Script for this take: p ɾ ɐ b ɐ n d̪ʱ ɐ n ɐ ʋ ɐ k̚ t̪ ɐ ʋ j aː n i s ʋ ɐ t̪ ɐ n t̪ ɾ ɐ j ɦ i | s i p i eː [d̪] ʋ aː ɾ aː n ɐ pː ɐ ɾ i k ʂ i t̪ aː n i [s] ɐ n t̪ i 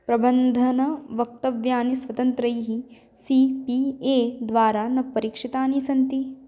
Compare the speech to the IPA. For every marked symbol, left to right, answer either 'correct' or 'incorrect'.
correct, correct

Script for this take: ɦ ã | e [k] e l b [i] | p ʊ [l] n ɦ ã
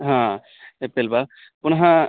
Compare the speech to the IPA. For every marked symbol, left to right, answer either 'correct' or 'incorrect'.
incorrect: p, incorrect: a, incorrect: none

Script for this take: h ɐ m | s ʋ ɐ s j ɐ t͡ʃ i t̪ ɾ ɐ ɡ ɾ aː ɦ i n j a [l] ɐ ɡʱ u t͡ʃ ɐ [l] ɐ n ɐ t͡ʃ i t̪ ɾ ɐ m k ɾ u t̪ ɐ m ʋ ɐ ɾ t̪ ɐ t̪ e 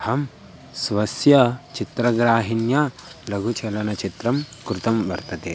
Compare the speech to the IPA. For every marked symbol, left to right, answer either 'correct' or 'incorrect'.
correct, correct

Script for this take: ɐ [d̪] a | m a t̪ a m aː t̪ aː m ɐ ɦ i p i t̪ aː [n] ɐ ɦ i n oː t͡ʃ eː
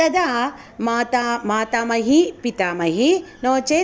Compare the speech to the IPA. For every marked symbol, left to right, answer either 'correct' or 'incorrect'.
correct, incorrect: m

